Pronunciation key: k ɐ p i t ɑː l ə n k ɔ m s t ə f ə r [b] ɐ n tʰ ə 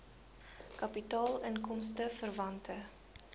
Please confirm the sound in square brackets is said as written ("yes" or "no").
no